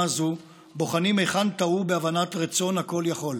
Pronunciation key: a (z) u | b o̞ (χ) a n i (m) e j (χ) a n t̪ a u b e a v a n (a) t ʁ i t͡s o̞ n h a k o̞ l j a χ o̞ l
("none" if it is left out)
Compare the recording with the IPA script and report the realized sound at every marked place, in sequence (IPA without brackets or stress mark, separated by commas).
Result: z, χ, m, χ, a